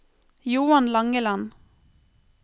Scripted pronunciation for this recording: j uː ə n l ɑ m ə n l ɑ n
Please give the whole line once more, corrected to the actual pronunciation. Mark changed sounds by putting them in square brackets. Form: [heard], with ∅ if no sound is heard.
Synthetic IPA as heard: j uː [ɑ] n l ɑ [ŋ] ə [∅] l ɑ n